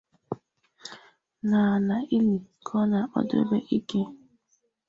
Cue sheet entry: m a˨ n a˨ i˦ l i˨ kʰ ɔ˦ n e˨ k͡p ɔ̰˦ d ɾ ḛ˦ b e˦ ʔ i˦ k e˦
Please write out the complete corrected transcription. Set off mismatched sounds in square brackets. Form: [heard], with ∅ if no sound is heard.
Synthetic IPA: [n] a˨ n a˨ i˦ l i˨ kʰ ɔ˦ n [a˨] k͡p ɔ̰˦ d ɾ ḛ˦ b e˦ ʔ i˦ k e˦